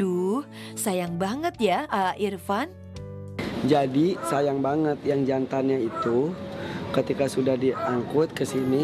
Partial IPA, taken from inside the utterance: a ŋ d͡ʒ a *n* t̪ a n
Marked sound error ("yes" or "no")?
no